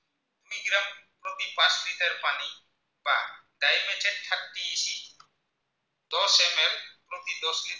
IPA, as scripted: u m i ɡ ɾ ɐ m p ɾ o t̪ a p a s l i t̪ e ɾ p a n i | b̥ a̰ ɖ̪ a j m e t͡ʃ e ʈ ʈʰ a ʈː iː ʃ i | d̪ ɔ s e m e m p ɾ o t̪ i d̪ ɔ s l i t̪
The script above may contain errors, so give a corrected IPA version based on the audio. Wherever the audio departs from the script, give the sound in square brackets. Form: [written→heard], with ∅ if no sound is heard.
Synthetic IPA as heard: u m i ɡ ɾ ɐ m p ɾ o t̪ [a→i] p a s l i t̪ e ɾ p a n i | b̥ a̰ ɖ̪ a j m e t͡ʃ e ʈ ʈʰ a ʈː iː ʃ i | d̪ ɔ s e m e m p ɾ o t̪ i d̪ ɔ s l i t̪